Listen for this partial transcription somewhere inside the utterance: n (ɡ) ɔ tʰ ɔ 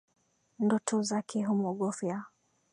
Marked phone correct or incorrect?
incorrect: d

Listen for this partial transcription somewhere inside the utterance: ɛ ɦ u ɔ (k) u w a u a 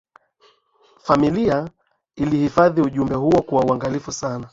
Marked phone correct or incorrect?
correct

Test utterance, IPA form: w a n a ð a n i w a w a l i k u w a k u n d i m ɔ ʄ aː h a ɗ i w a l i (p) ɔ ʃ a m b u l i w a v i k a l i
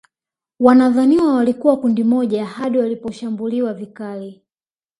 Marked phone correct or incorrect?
correct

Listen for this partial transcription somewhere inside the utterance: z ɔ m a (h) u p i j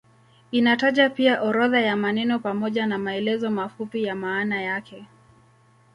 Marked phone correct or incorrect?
incorrect: f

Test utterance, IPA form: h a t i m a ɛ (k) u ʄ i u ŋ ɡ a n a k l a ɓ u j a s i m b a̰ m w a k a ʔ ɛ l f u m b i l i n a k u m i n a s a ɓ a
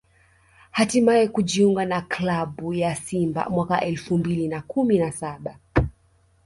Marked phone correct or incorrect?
correct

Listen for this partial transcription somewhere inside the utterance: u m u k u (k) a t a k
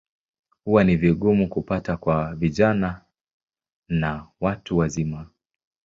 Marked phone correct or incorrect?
incorrect: p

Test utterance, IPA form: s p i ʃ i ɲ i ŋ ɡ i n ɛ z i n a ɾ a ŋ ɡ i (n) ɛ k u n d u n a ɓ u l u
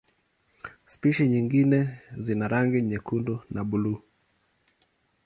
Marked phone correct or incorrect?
incorrect: ɲ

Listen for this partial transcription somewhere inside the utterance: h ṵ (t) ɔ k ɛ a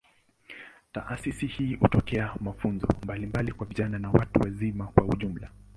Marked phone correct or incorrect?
correct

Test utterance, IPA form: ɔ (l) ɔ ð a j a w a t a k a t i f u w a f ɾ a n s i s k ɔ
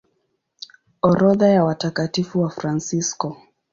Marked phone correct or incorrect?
incorrect: ɾ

